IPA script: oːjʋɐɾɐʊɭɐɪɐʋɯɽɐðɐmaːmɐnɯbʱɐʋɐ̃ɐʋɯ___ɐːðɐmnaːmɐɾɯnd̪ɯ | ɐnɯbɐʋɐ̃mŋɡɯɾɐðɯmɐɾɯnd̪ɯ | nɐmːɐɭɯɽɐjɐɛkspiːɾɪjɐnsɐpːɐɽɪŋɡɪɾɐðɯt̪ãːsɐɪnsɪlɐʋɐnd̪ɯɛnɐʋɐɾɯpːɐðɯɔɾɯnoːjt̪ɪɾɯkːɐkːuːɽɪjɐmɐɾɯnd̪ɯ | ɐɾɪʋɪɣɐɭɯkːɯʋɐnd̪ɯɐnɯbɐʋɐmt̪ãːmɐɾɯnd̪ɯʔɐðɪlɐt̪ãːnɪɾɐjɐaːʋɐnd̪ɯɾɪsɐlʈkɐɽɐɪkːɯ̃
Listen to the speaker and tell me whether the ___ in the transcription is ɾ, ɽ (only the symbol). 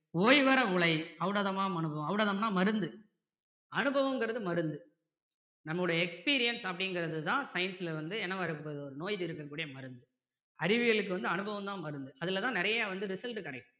ɽ